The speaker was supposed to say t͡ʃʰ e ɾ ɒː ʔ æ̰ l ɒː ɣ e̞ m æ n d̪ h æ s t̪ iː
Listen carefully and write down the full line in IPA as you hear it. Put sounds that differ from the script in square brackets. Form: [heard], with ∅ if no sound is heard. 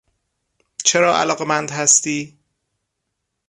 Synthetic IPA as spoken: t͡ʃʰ e ɾ ɒː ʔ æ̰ l ɒː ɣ e̞ m æ n d̪ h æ s t̪ iː